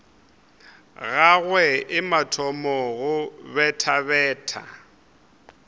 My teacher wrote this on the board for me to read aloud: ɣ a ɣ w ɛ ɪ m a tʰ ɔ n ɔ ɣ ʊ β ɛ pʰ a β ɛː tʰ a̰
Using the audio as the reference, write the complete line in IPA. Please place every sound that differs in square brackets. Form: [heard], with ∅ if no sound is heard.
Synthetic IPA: ɣ a ɣ w ɛ ɪ m a tʰ ɔ [m] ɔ ɣ ʊ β ɛ [tʰ] a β ɛː tʰ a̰